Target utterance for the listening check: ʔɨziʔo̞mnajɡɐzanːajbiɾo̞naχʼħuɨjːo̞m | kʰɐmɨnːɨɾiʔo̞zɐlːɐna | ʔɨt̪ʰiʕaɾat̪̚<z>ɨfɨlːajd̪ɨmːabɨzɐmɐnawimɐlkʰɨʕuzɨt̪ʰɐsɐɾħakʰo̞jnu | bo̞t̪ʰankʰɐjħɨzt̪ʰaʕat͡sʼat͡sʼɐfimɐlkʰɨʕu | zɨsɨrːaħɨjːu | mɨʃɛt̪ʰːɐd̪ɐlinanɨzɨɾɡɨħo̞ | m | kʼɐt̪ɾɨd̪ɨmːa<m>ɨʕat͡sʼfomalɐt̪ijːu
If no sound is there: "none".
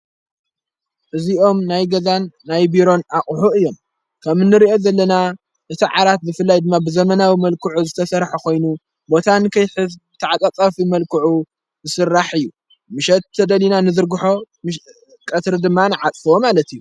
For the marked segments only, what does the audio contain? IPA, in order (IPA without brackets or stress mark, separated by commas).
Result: z, n